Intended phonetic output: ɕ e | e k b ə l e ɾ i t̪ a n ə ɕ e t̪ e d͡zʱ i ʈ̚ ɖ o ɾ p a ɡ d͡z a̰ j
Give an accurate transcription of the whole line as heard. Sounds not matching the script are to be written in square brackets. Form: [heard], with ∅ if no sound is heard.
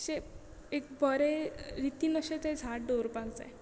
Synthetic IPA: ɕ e | e k b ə [ɾ] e ɾ i t̪ [i] n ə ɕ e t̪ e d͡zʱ [a] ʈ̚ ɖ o ɾ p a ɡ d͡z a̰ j